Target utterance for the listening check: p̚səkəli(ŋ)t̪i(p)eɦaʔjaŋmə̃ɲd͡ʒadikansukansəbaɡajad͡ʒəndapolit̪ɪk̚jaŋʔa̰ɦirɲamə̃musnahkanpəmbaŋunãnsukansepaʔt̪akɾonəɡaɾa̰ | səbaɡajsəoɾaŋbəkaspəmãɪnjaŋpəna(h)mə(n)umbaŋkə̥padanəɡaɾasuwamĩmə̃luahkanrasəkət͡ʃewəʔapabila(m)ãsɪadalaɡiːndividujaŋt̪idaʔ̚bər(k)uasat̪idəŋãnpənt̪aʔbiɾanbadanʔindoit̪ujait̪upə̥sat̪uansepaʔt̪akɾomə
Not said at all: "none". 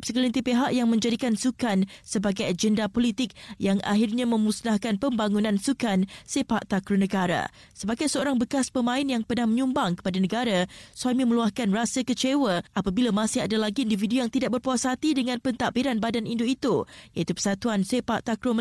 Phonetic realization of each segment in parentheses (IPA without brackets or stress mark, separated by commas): n, p, h, ɲ, m, p